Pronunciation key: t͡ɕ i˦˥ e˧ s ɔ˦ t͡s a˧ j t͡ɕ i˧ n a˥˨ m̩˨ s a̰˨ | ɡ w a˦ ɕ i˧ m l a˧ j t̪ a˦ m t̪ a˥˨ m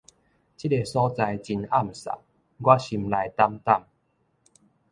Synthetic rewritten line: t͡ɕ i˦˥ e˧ s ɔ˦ t͡s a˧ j t͡ɕ i˧ n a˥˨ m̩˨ s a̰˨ | ɡ w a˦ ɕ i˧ m l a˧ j t̪ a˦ m t̪ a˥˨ m